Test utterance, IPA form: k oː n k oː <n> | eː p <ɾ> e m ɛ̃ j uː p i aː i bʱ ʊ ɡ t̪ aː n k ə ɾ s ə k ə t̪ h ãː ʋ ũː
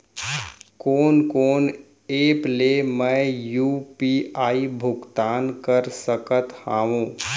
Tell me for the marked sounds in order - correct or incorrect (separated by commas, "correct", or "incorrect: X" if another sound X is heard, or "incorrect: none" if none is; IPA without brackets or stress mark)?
correct, incorrect: l